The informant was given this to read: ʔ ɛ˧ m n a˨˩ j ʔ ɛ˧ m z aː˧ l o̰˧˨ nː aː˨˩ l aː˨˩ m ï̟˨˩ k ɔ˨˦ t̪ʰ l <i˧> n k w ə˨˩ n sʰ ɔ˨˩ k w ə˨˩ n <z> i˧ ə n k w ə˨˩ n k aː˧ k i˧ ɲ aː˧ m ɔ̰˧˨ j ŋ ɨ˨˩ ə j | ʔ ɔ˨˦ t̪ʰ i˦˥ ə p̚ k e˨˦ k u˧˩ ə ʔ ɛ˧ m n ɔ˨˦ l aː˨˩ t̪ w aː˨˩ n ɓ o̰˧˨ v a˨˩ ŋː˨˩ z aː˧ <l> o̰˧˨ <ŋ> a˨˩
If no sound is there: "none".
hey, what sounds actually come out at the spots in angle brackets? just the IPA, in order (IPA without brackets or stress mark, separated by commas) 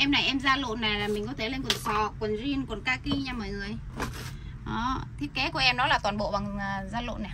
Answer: e˧, z, l, n